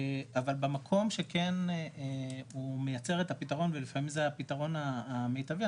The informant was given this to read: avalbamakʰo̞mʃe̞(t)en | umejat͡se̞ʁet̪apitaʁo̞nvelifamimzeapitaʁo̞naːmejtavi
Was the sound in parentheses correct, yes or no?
no